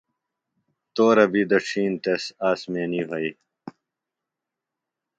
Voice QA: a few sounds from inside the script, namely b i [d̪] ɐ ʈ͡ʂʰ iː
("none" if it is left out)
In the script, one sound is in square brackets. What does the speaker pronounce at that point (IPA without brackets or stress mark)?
d̪